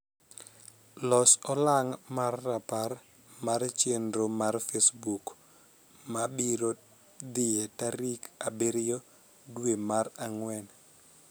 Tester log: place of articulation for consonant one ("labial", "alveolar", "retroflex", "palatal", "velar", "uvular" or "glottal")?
alveolar